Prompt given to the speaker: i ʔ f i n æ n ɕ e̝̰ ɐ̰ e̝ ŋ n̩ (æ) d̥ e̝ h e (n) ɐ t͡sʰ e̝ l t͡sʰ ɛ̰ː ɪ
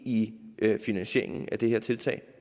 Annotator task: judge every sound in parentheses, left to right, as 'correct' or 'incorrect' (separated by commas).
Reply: correct, incorrect